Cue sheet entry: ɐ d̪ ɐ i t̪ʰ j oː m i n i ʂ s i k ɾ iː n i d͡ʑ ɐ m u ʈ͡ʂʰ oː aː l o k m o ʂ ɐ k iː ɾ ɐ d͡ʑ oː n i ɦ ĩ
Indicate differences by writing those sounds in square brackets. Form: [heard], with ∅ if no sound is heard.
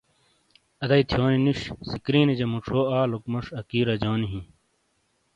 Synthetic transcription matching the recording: ɐ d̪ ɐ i t̪ʰ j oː [n] i n i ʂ s i k ɾ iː n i d͡ʑ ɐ m u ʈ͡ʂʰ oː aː l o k m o ʂ ɐ k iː ɾ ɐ d͡ʑ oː n i ɦ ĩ